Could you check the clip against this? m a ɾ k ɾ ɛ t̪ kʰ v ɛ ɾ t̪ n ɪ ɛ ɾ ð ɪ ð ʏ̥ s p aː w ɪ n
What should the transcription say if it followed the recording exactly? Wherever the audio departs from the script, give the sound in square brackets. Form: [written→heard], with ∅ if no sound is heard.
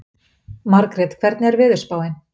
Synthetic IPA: m a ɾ k ɾ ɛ t̪ kʰ v ɛ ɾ t̪ n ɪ ɛ ɾ [ð→v] ɪ ð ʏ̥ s p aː w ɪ n